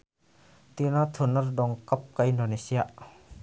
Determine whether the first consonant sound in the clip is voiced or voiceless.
voiceless